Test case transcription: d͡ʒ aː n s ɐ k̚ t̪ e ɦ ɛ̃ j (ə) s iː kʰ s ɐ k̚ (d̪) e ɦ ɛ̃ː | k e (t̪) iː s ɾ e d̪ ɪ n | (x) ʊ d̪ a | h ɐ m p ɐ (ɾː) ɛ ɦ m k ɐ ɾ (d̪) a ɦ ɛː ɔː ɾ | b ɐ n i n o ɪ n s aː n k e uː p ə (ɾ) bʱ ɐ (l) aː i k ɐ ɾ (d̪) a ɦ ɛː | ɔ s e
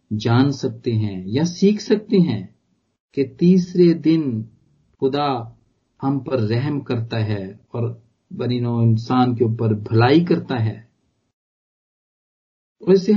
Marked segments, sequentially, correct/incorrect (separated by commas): incorrect, incorrect, correct, correct, correct, incorrect, correct, correct, incorrect